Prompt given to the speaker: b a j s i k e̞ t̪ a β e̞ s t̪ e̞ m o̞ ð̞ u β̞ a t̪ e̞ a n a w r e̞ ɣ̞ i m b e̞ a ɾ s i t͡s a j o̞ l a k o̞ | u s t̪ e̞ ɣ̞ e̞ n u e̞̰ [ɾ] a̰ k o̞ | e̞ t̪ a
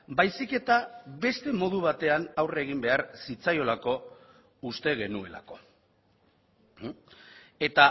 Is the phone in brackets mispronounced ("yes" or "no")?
yes